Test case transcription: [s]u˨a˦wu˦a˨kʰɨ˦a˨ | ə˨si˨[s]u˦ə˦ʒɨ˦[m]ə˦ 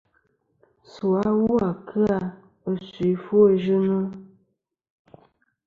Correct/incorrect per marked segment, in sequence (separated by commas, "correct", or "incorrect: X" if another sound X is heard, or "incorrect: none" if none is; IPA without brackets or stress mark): correct, incorrect: f, incorrect: n